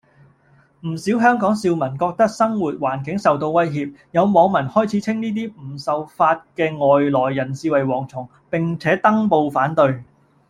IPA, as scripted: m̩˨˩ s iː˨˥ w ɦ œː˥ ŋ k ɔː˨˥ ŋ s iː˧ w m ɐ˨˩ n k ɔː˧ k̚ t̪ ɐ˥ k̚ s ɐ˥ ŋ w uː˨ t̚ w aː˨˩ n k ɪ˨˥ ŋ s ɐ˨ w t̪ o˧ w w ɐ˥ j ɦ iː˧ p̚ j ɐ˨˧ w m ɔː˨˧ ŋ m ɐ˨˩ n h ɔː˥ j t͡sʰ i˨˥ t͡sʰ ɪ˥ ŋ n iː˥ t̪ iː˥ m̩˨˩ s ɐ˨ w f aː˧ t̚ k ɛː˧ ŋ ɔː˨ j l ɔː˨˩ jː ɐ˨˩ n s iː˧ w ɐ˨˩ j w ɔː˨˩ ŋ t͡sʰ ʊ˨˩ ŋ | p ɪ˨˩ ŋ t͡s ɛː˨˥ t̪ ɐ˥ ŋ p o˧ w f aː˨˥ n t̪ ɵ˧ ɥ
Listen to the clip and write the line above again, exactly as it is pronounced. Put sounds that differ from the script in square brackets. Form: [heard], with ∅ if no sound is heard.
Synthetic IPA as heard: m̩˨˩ s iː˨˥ w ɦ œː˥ ŋ k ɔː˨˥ ŋ s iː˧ w m ɐ˨˩ n k ɔː˧ k̚ t̪ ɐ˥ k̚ s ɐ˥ ŋ w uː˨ t̚ w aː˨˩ n k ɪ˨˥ ŋ s ɐ˨ w t̪ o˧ w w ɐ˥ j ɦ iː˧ p̚ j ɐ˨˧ w m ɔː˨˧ ŋ m ɐ˨˩ n h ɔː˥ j t͡sʰ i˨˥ t͡sʰ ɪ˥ ŋ n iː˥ t̪ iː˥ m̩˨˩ s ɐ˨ w f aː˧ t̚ k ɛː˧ ŋ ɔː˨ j l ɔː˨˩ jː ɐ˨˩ n s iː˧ w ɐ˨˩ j w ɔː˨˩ ŋ t͡sʰ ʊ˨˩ ŋ | p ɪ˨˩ ŋ [t͡sʰ] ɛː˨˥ t̪ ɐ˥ ŋ p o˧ w f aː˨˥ n t̪ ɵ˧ ɥ

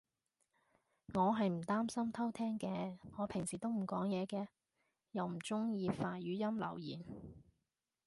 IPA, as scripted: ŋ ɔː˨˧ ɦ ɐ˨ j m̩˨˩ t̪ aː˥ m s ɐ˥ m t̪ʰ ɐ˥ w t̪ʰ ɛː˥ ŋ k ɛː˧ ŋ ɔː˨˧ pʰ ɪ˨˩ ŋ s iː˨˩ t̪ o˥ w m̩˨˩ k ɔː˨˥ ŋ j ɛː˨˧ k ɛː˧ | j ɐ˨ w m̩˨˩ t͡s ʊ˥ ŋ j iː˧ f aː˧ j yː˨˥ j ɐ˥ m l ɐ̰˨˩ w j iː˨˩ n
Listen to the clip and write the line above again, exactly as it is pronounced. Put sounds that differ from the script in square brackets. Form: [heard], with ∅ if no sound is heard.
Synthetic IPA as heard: ŋ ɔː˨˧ ɦ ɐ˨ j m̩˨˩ t̪ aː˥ m s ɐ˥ m t̪ʰ ɐ˥ w t̪ʰ ɛː˥ ŋ k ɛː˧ ŋ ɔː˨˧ pʰ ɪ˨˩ ŋ s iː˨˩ t̪ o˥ w m̩˨˩ k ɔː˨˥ ŋ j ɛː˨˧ k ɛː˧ | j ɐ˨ w m̩˨˩ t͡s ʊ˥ ŋ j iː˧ f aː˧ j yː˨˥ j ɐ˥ m l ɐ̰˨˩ w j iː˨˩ n

